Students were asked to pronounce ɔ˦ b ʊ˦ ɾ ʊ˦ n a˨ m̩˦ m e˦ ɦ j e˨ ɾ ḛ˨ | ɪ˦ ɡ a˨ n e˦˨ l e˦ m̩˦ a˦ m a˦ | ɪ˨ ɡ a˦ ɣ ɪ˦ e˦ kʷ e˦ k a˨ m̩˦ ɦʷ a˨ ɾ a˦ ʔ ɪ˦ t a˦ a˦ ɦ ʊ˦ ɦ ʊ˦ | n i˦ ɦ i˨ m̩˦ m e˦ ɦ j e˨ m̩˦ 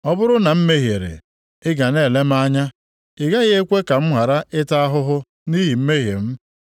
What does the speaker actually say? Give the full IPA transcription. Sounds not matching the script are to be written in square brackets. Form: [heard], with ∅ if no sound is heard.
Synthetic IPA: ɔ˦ b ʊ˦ ɾ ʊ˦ n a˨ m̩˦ m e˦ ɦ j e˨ ɾ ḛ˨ | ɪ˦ ɡ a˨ n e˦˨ l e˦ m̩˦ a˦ [ɲ] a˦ | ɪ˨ ɡ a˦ ɣ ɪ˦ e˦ kʷ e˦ k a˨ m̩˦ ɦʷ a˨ ɾ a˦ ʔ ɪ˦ t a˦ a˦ ɦ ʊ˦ ɦ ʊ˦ | n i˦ ɦ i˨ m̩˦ m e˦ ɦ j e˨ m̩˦